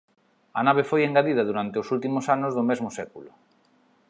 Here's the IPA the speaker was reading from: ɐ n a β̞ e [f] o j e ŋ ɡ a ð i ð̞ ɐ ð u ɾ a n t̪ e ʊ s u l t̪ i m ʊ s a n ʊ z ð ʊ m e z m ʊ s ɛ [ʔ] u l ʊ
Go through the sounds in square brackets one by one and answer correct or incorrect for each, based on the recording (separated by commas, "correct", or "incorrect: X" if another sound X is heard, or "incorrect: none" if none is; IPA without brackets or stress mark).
correct, incorrect: k